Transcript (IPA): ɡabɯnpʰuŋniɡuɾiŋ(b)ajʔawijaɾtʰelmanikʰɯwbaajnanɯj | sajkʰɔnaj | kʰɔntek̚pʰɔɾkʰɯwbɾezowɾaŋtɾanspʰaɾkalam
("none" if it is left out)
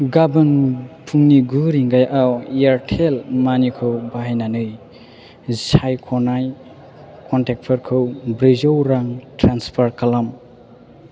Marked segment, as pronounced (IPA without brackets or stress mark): ɡ